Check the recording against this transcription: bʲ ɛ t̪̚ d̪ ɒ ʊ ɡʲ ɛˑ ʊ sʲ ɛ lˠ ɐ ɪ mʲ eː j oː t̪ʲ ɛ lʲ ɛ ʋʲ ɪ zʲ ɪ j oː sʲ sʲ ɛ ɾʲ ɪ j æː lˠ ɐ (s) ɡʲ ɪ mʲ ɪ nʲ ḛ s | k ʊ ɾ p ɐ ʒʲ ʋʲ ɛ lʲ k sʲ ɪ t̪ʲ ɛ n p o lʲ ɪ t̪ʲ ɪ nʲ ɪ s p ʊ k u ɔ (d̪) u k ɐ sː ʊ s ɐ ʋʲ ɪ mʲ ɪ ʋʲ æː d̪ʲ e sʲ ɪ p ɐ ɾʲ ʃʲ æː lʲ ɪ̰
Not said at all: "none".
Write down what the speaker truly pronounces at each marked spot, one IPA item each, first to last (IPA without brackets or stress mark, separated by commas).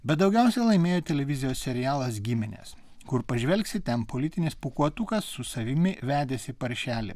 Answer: s, t̪